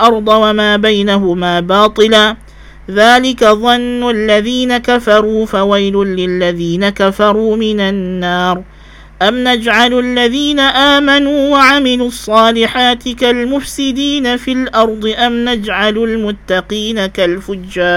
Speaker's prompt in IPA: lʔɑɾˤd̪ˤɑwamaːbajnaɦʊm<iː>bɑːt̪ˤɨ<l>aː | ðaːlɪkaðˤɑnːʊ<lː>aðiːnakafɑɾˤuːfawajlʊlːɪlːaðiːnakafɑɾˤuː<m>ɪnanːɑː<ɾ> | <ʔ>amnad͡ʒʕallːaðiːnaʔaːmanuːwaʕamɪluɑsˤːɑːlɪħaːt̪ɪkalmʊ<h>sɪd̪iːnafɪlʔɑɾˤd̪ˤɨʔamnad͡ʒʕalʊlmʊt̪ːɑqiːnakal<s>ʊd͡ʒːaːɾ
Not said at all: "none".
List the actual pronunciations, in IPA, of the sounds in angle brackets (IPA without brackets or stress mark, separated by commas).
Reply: aː, l, lː, m, ɾ, ʔ, f, f